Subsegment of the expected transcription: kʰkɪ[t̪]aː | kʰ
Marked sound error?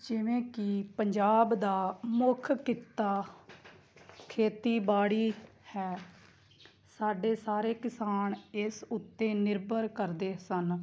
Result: no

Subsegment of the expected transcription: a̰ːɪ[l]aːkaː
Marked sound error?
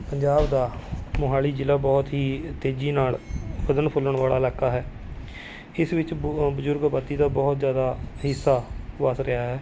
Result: no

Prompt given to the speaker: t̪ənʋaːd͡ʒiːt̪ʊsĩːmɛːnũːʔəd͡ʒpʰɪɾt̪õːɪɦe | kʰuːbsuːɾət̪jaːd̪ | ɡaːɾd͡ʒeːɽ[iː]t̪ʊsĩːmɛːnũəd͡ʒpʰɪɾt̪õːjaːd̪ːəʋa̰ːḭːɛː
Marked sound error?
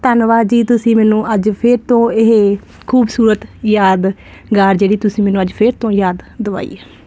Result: no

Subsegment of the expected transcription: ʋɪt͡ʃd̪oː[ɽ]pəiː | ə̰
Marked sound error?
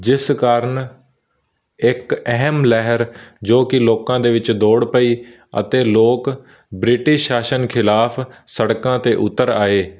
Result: no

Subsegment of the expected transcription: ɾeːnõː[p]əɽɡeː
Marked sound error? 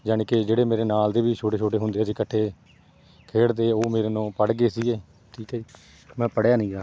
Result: no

